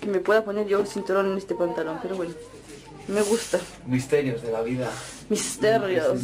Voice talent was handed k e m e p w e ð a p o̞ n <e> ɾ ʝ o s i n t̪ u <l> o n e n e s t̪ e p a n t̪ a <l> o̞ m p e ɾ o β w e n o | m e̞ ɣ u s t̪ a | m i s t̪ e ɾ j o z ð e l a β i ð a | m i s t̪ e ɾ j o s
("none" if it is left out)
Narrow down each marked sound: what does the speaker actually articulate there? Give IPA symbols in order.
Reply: e, ɾ, l

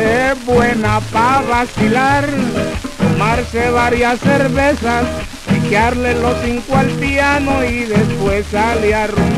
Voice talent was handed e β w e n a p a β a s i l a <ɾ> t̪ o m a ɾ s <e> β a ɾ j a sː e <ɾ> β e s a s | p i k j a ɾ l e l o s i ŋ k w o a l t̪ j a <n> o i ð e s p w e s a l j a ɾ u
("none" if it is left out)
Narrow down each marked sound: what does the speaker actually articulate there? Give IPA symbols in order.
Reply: ɾ, e, ɾ, n

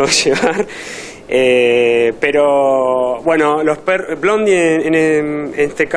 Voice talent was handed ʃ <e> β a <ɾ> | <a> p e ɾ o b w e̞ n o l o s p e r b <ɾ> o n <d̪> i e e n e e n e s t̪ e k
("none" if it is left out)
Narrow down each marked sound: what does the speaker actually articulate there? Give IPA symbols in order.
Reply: e, ɾ, e, l, d̪

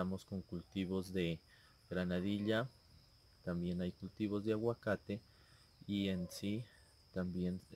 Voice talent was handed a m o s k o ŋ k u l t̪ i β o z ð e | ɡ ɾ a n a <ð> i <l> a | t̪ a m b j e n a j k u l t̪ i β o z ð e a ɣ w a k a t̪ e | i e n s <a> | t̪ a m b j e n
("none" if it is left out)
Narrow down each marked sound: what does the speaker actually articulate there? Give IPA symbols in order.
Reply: ð, ʎ, i

